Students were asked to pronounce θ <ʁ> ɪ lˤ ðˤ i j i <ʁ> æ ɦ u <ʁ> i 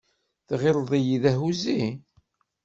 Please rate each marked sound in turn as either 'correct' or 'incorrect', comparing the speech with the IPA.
correct, incorrect: ð, incorrect: z

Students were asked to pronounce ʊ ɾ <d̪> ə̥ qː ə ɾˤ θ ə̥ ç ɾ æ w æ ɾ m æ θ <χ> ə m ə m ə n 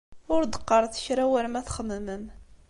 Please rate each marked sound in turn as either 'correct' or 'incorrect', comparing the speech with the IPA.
correct, correct

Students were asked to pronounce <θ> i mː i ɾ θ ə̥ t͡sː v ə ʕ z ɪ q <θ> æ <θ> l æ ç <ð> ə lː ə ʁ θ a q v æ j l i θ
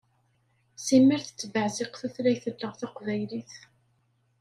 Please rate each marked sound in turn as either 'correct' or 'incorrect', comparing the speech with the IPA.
incorrect: s, correct, correct, incorrect: θ

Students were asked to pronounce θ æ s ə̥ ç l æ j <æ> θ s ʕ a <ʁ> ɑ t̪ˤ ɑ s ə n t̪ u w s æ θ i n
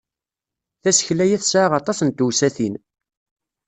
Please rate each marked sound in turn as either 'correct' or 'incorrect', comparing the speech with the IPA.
correct, correct

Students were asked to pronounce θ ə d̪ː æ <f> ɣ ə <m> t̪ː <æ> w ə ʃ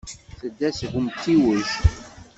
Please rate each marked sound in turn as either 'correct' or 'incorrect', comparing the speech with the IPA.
incorrect: s, correct, incorrect: i

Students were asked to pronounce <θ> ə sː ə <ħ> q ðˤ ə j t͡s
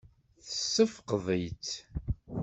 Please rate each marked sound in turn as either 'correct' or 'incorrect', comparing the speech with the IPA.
correct, incorrect: f

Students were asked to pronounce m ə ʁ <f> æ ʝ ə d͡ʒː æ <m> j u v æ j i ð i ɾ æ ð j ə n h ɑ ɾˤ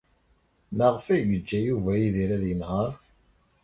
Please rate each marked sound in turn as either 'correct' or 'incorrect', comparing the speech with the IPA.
correct, incorrect: none

